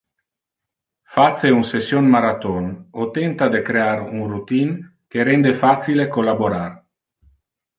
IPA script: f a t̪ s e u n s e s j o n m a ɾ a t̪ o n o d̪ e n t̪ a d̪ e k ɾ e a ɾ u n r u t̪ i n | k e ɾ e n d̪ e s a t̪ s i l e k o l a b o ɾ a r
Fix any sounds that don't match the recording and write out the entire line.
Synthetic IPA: f a t̪ s e u n s e s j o n m a ɾ a t̪ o n o t̪ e n t̪ a d̪ e k ɾ e a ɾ u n r u t̪ i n | k e ɾ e n d̪ e f a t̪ s i l e k o l a b o ɾ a r